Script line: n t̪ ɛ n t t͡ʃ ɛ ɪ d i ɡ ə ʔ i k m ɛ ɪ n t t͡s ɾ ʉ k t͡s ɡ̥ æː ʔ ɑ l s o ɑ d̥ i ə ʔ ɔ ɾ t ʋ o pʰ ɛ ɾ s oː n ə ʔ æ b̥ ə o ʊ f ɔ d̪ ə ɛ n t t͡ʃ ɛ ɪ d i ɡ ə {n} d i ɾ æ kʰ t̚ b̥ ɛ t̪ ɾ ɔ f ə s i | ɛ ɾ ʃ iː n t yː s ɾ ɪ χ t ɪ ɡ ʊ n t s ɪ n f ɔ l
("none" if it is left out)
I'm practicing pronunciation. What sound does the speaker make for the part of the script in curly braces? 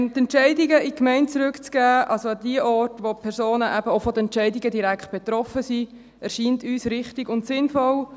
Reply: none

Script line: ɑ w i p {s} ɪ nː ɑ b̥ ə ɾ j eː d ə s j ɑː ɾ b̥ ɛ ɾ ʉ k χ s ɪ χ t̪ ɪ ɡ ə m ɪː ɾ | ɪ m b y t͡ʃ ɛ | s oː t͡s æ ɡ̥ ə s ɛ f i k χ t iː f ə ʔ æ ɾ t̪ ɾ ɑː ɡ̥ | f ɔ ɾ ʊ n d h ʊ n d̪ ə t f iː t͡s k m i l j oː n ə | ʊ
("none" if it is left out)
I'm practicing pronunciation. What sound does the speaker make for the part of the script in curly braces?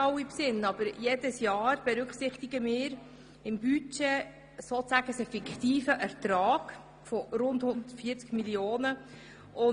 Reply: s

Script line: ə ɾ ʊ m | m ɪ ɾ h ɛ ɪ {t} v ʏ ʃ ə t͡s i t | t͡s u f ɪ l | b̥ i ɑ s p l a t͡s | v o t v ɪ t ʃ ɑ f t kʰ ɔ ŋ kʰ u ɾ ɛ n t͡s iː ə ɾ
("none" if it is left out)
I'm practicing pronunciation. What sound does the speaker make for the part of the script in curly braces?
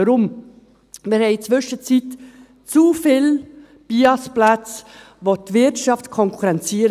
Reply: t͡s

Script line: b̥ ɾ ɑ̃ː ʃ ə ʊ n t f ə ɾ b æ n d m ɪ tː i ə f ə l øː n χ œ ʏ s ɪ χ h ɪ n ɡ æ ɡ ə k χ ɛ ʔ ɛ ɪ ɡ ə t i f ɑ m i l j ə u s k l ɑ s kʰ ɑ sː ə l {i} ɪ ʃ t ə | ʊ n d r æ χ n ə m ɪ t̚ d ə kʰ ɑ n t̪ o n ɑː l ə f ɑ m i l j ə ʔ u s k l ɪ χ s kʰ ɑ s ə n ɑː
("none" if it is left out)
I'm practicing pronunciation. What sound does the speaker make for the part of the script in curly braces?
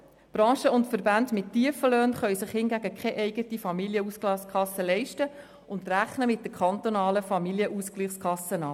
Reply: ɛ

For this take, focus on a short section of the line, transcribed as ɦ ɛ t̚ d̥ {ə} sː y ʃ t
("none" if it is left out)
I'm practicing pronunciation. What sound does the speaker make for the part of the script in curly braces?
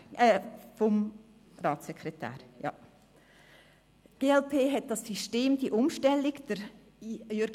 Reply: ɑ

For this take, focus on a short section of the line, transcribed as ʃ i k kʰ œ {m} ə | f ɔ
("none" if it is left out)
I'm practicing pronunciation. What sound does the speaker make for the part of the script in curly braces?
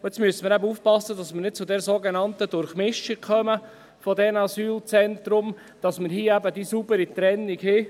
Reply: m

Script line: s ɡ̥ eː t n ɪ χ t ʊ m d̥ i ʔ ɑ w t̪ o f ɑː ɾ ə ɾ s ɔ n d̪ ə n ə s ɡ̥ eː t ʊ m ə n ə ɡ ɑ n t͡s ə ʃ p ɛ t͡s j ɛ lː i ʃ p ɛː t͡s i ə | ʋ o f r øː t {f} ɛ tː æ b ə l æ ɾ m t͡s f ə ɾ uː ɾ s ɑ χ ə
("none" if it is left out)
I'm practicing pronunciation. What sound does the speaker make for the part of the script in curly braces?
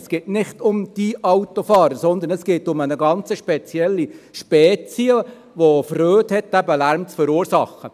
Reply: h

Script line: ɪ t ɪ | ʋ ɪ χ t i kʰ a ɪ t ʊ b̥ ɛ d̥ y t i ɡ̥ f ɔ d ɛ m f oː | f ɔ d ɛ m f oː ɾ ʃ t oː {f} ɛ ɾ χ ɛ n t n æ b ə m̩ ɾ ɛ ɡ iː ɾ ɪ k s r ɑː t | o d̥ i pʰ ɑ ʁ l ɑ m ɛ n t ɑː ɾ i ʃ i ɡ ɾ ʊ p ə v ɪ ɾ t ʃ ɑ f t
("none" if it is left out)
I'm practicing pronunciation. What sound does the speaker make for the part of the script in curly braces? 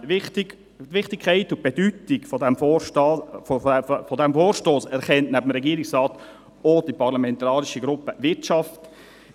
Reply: s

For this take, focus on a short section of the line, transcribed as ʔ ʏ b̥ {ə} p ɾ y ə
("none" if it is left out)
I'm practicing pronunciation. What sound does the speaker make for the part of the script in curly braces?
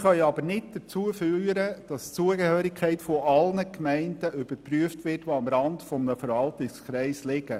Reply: ə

